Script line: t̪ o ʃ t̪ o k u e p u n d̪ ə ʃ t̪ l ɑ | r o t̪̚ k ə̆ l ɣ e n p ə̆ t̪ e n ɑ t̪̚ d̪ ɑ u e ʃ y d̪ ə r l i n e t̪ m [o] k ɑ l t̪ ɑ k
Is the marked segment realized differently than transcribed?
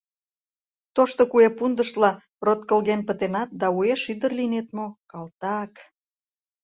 no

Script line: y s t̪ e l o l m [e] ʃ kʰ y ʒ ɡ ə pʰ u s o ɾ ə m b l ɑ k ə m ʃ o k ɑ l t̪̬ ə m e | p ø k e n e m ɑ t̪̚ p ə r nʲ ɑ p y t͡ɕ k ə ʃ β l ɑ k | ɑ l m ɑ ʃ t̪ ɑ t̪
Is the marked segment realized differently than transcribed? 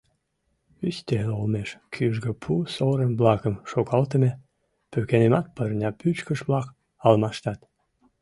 no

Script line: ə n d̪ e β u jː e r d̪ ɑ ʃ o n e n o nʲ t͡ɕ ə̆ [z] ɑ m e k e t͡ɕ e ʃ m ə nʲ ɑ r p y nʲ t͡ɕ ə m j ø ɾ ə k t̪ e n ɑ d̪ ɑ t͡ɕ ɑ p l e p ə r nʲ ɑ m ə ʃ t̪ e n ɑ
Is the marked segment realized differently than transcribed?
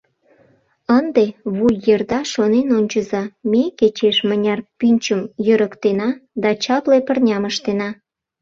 no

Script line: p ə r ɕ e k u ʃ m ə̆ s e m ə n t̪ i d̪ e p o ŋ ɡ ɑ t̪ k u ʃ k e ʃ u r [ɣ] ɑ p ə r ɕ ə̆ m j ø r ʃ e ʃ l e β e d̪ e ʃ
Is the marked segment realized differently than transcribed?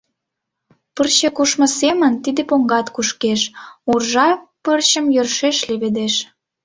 yes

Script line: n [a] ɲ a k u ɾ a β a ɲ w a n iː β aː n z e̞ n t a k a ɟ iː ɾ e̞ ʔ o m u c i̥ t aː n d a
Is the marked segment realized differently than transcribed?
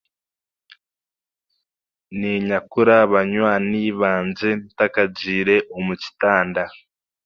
yes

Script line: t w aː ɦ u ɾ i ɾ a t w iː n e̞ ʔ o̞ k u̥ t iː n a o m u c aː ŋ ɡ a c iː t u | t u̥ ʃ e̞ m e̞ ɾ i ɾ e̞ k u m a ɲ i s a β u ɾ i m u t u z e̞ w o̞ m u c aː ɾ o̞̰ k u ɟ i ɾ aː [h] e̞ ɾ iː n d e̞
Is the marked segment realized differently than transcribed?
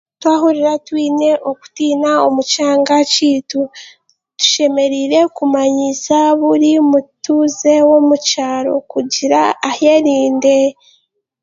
no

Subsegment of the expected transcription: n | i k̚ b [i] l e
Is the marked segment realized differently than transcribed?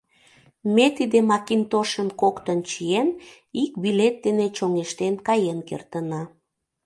no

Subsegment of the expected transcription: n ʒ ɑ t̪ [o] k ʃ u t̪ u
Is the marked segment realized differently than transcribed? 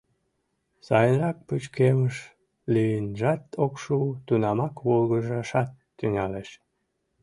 no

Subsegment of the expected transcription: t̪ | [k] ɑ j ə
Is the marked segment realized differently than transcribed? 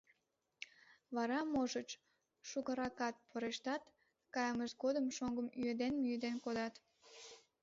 no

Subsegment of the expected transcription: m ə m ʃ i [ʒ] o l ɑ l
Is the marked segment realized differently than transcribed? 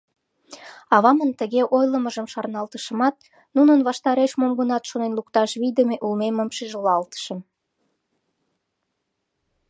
no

